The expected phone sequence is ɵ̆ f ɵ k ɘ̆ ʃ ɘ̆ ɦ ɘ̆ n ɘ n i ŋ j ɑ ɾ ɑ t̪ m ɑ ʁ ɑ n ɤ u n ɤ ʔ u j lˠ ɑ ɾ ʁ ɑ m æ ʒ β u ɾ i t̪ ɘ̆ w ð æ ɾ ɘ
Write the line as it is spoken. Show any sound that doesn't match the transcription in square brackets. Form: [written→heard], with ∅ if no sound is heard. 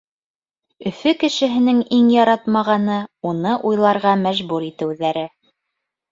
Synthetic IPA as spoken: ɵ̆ f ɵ k ɘ̆ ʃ ɘ̆ ɦ ɘ̆ n ɘ [n→ŋ] i ŋ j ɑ ɾ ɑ t̪ m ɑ ʁ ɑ n ɤ u n ɤ ʔ u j lˠ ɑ ɾ ʁ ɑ m æ ʒ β u ɾ i t̪ ɘ̆ w ð æ ɾ ɘ